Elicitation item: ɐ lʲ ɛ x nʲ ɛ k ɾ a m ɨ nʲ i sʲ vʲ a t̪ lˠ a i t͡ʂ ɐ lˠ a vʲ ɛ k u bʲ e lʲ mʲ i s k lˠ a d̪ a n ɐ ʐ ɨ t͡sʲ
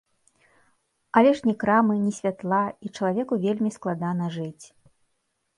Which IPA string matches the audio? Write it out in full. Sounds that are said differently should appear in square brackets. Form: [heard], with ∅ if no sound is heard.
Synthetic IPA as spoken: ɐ lʲ ɛ [ʂ] nʲ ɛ k ɾ a m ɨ nʲ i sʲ vʲ a t̪ lˠ a i t͡ʂ ɐ lˠ a vʲ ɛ k u [vʲ] e lʲ mʲ i s k lˠ a d̪ a n ɐ ʐ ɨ t͡sʲ